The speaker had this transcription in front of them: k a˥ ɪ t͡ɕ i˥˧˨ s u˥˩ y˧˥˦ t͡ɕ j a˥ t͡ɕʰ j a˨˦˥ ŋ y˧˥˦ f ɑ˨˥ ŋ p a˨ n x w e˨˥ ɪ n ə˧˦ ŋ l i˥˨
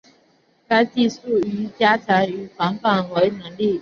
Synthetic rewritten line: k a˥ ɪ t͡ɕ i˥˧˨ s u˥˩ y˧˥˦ t͡ɕ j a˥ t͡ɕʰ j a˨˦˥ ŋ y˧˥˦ f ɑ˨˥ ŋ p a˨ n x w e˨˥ ɪ n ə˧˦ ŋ l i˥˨